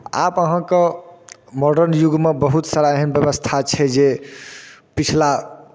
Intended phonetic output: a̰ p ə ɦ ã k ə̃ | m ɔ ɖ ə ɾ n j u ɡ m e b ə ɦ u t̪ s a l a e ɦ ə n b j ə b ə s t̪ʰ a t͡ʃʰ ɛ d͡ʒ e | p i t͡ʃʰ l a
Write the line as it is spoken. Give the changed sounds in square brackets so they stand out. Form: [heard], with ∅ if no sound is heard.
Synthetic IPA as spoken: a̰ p ə ɦ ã k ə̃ | m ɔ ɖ ə ɾ n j u ɡ m e b ə ɦ u t̪ s a [ɾ] a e ɦ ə n b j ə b ə s t̪ʰ a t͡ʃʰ ɛ d͡ʒ e | p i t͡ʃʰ l a